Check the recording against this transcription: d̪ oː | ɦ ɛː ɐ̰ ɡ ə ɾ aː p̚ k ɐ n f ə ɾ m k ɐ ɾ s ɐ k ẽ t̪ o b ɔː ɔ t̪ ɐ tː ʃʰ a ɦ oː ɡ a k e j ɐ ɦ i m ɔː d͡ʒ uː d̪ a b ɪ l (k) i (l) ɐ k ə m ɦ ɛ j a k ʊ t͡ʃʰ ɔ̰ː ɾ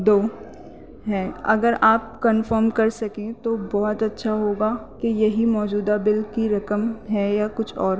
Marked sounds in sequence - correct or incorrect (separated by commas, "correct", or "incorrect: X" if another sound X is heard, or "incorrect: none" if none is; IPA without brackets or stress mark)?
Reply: correct, incorrect: ɾ